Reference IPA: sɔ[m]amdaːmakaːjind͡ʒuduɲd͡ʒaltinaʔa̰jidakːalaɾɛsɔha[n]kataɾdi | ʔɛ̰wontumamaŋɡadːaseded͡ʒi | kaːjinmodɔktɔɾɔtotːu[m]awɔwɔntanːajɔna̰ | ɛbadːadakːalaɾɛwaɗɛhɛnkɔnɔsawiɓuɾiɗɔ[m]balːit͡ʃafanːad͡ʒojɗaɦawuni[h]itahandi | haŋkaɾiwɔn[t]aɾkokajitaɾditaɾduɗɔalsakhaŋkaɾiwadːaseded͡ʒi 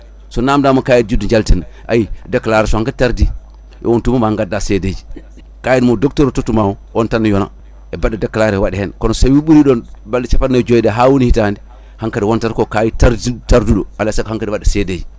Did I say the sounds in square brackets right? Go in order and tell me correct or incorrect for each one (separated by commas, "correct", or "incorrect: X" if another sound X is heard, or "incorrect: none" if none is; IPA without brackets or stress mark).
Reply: incorrect: n, incorrect: ŋ, correct, incorrect: n, correct, correct